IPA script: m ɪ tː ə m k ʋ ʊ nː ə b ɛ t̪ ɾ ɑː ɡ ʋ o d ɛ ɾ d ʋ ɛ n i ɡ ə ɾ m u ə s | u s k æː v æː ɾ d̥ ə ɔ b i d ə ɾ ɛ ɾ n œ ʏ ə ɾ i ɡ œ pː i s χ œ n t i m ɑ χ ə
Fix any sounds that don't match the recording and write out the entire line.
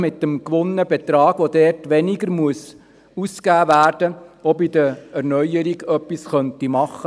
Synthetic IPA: m ɪ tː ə m k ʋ ʊ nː ə b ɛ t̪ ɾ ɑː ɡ ʋ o d ɛ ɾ t ʋ ɛ n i ɡ ə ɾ m u ə s | u s k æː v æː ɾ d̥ ə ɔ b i d ə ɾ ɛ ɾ n œ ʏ ə ɾ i ɡ œ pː i s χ œ n t i m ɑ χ ə